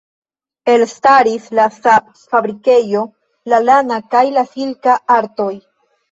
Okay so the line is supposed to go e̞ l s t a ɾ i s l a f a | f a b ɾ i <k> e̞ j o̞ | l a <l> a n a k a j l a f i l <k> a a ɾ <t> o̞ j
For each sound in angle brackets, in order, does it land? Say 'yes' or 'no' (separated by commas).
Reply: yes, yes, yes, yes